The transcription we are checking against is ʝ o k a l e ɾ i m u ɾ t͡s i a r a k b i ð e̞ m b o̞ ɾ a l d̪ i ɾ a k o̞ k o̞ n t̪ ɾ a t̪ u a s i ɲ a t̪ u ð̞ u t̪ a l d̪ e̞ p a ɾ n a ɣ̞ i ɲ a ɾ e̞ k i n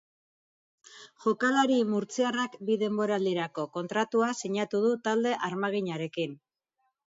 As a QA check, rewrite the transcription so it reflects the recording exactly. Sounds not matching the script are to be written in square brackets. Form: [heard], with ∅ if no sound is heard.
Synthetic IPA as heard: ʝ o k a l [a] ɾ i m u ɾ t͡s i a r a k b i ð e̞ m b o̞ ɾ a l d̪ i ɾ a k o̞ k o̞ n t̪ ɾ a t̪ u a s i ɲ a t̪ u ð̞ u t̪ a l d̪ e̞ [ʔ] a ɾ [m] a ɣ̞ i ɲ a ɾ e̞ k i n